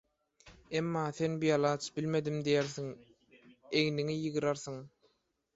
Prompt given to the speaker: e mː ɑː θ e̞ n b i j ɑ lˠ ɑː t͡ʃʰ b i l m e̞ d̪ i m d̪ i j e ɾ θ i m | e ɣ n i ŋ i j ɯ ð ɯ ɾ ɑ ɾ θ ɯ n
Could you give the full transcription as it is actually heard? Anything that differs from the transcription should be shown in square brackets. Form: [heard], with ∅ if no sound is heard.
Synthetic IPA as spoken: e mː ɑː θ e̞ n b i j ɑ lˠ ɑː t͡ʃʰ b i l m e̞ d̪ i m d̪ i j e ɾ θ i [ŋ] | e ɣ n i ŋ i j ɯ [ɣ] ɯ ɾ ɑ ɾ θ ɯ [ŋ]